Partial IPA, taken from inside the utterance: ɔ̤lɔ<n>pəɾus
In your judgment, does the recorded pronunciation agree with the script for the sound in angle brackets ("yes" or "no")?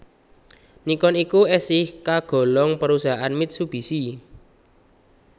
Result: no